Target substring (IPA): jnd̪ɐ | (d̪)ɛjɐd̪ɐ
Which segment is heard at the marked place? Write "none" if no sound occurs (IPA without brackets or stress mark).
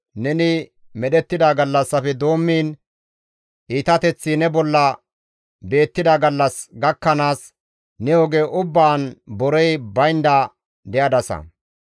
d̪